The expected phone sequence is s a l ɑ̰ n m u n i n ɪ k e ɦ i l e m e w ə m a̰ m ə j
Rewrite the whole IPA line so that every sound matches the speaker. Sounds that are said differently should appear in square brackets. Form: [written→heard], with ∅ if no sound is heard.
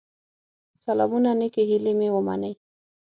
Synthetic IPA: s a l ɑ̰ [n→∅] m u n [i→a] n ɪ k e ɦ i l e m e w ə m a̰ [m→n] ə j